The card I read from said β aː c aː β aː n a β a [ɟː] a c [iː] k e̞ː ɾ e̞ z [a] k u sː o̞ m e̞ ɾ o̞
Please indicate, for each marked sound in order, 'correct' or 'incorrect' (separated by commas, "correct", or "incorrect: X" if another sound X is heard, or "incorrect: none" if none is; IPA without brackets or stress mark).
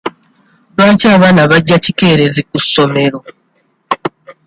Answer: correct, incorrect: i, incorrect: i